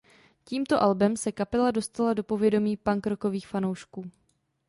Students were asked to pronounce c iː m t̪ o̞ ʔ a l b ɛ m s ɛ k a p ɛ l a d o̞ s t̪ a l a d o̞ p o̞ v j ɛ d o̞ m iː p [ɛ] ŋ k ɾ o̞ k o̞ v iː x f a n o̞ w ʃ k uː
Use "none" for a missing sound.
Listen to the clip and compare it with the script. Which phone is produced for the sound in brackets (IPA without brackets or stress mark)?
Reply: a